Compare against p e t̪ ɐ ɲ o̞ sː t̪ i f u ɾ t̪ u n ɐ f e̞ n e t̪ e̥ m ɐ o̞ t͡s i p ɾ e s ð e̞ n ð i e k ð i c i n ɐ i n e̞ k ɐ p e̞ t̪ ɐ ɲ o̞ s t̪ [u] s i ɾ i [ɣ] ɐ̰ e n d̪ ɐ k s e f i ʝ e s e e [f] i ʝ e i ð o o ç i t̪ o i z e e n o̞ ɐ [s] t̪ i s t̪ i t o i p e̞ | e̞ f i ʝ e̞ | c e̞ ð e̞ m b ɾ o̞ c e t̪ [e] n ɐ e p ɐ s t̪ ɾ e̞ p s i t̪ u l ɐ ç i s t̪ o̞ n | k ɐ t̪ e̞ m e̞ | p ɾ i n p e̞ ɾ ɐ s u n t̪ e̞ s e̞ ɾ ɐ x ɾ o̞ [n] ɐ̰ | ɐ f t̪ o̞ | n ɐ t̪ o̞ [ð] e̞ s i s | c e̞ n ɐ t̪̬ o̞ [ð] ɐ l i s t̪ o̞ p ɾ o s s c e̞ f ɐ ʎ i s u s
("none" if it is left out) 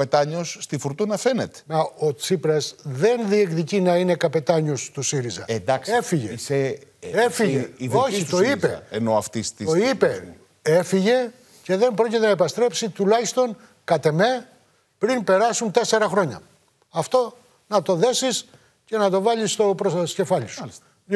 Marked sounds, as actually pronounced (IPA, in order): u, z, f, f, e, ɲ, ð, v

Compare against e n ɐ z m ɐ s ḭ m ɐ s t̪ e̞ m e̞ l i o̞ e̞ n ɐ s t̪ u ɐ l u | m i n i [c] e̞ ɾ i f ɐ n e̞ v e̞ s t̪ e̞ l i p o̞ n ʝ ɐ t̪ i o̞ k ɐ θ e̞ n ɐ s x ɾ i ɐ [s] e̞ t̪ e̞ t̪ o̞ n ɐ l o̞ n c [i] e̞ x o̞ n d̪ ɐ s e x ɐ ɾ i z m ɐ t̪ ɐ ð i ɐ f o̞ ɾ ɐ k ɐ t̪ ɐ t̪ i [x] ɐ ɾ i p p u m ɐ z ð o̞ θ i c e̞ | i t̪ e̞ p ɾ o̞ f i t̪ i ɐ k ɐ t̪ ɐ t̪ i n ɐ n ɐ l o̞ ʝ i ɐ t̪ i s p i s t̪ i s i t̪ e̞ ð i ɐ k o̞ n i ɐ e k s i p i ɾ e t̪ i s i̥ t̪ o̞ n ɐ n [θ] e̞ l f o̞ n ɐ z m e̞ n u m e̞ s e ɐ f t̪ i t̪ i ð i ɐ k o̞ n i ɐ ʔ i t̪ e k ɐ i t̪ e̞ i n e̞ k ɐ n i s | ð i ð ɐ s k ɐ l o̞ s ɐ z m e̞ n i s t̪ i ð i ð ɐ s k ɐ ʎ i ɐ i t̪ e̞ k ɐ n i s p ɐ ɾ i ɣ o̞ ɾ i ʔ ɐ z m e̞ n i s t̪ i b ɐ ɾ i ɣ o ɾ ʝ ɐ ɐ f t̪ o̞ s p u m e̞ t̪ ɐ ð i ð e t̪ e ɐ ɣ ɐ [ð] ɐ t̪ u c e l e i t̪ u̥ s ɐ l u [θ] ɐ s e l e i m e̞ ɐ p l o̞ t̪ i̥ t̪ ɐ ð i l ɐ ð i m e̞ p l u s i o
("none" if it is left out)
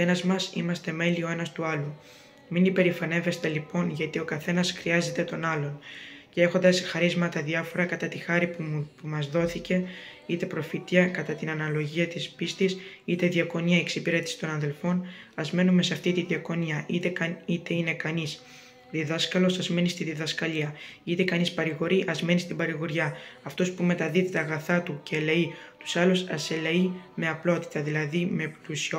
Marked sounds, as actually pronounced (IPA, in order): p, z, e, x, ð, θ, s

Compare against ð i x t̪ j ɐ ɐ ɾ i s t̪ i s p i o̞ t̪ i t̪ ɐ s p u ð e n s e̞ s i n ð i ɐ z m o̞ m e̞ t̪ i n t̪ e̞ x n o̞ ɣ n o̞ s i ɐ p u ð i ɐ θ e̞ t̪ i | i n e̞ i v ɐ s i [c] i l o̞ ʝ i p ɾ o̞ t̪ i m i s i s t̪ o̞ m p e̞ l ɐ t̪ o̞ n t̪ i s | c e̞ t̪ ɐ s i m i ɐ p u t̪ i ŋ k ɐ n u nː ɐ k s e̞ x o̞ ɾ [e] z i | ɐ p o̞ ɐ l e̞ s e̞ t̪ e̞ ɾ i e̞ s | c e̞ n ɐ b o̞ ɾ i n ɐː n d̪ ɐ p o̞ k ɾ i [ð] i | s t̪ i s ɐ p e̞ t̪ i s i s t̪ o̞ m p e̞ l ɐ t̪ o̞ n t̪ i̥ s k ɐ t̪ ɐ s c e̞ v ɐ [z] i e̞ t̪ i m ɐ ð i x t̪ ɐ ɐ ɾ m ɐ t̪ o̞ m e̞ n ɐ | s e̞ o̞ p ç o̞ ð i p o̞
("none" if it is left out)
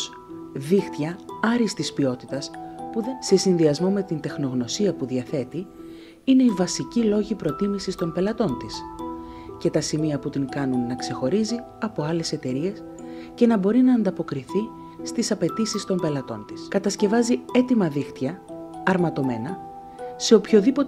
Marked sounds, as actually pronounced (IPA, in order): c, i, θ, z

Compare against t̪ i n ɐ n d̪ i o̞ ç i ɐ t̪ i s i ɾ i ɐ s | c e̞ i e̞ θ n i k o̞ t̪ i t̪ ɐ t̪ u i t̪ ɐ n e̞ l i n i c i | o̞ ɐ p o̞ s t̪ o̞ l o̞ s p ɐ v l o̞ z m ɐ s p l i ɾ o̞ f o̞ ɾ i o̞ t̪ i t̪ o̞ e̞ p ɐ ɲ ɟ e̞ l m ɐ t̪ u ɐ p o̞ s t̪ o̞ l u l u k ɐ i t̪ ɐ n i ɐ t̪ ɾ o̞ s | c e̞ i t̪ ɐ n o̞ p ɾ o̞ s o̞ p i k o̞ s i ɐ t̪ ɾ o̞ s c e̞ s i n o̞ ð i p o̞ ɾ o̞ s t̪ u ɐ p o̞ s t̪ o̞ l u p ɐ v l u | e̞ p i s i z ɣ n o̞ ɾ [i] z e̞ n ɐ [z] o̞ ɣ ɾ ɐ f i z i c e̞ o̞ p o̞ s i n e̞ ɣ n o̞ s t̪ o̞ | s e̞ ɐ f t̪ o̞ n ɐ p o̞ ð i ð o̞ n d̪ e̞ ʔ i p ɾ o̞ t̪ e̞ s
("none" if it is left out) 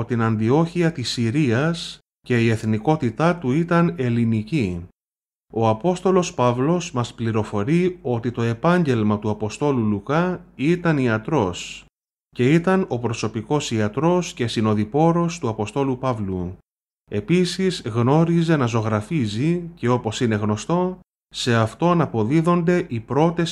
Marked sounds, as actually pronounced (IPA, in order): i, z

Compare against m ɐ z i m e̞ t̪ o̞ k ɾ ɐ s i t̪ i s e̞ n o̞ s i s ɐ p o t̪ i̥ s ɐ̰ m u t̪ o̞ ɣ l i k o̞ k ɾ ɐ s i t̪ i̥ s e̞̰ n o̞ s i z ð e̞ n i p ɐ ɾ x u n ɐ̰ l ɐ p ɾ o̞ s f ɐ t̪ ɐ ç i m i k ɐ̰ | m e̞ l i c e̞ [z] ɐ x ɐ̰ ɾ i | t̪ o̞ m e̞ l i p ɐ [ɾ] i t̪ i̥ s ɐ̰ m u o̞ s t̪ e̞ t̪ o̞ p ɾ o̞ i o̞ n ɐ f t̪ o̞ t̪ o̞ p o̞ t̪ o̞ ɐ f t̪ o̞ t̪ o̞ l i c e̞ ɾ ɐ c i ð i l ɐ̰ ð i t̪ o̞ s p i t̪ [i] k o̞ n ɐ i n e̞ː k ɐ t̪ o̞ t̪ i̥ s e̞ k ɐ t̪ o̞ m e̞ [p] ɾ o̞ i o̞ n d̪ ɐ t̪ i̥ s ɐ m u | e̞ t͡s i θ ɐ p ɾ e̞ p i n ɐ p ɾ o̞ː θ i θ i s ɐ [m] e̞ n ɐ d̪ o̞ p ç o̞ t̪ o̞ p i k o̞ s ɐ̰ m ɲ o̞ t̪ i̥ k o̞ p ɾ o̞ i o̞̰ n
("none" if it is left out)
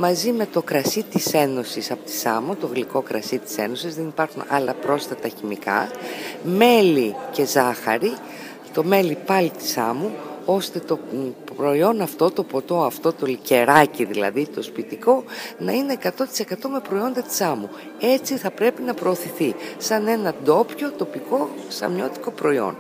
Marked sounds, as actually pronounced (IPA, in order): z, l, i, p, n

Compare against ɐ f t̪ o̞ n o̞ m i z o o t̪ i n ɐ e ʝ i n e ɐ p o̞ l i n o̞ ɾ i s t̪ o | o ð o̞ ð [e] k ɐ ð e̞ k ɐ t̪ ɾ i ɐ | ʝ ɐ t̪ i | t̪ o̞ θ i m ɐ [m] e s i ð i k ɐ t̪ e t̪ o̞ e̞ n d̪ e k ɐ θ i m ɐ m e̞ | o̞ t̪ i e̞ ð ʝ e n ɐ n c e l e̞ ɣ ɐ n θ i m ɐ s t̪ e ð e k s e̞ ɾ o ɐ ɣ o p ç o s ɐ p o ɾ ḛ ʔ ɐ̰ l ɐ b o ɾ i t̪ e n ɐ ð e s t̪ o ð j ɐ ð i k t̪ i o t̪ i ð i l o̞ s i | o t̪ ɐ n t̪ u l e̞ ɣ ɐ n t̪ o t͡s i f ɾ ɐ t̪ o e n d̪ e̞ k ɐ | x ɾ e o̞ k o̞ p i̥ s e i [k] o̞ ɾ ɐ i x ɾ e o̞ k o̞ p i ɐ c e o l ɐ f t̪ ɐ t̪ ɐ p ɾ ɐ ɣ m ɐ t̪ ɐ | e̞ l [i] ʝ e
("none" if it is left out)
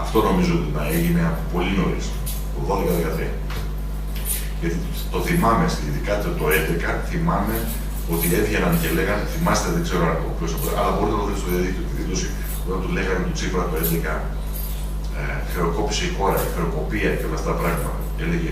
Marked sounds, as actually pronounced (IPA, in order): e, m, x, e

